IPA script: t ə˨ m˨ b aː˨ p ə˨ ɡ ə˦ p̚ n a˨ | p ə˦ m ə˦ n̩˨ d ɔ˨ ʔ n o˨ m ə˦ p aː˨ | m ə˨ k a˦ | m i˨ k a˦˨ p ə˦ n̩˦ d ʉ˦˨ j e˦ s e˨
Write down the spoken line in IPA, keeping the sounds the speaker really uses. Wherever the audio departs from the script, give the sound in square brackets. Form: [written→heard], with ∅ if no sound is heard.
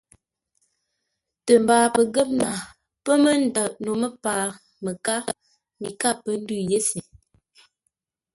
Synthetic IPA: t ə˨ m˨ b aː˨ p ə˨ ɡ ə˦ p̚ n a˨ | p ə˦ m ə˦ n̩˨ d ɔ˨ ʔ n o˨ m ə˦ p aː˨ | m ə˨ k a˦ | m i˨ k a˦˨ p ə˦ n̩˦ d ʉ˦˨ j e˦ s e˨